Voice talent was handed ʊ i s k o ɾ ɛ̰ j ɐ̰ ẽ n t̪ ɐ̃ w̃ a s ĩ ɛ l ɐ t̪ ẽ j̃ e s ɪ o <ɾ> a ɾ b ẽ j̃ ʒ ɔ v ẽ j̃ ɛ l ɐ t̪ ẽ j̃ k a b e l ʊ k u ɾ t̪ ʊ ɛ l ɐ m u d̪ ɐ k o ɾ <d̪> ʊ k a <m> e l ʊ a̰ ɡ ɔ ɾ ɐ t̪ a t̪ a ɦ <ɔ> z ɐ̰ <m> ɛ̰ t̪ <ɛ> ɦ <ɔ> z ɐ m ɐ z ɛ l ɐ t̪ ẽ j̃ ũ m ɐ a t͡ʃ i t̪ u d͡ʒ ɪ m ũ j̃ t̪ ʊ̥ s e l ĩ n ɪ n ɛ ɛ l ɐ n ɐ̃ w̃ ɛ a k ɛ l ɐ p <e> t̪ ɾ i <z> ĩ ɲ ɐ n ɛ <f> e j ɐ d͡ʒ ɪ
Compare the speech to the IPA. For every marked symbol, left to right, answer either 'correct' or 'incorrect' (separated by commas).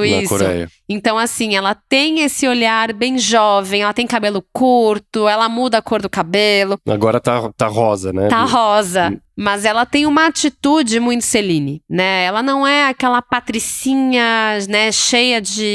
incorrect, correct, incorrect, correct, incorrect, incorrect, correct, incorrect, incorrect, incorrect